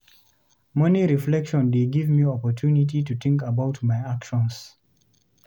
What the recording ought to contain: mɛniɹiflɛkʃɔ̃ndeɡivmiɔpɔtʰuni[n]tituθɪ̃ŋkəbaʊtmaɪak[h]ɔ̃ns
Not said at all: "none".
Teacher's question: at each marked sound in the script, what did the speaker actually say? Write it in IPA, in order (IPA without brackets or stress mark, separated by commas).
none, ʃ